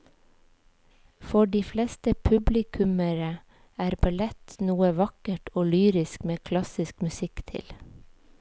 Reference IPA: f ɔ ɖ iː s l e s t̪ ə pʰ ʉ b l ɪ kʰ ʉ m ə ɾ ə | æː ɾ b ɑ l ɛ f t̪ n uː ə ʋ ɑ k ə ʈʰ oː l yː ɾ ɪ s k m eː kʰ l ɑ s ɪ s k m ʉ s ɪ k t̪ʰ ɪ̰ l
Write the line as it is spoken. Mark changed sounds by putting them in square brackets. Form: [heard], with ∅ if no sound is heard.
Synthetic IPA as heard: f ɔ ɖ iː [f] l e s t̪ ə pʰ ʉ b l ɪ kʰ ʉ m ə ɾ ə | æː ɾ b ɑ l ɛ [∅] t̪ n uː ə ʋ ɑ k ə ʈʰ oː l yː ɾ ɪ s k m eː kʰ l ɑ s ɪ s k m ʉ s ɪ k t̪ʰ ɪ̰ l